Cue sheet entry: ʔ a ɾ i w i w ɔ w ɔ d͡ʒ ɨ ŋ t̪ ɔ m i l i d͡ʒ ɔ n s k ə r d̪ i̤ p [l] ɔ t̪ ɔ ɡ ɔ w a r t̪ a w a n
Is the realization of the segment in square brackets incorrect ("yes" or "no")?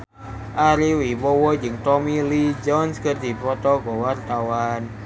yes